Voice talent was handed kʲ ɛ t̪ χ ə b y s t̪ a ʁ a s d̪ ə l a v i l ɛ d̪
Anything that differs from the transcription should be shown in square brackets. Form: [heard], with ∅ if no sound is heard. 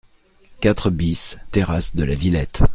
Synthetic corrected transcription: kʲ [a] t̪ χ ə b [i] s t̪ [e] ʁ a s d̪ ə l a v i l ɛ [t̪]